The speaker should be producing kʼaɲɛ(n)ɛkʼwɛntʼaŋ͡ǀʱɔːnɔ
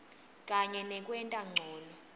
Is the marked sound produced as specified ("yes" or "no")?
yes